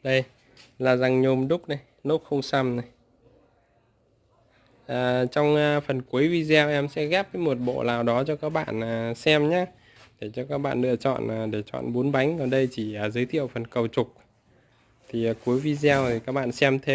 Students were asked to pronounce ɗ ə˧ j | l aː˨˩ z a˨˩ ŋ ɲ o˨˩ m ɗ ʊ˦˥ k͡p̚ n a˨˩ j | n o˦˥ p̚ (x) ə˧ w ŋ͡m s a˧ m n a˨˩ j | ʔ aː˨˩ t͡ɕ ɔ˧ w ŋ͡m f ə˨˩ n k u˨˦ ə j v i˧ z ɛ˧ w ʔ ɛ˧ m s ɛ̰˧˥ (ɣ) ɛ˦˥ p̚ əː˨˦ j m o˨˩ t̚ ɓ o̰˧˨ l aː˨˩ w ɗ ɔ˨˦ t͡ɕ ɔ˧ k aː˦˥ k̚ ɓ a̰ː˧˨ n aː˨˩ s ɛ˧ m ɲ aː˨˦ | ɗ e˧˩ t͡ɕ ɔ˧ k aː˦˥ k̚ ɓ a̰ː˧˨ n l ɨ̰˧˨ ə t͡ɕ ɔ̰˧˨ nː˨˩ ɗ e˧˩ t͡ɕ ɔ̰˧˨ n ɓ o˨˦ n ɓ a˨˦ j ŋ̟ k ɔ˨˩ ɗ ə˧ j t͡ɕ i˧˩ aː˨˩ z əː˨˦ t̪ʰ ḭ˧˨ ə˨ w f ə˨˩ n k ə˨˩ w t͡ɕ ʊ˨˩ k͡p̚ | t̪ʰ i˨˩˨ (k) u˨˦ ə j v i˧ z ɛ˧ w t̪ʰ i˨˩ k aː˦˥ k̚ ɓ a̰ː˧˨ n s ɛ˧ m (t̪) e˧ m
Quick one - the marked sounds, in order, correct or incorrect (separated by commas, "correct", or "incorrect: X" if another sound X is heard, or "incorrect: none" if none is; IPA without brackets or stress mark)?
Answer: correct, correct, correct, incorrect: t̪ʰ